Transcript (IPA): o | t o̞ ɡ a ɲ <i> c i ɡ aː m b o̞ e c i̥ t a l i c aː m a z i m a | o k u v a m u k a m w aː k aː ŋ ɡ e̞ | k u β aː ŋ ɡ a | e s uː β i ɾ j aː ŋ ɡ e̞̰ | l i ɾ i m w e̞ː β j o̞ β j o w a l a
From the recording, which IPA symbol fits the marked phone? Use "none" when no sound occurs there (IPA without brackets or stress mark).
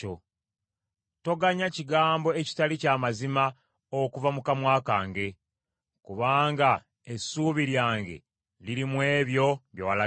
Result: a